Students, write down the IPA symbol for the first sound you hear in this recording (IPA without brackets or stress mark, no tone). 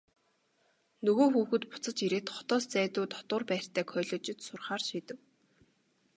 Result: n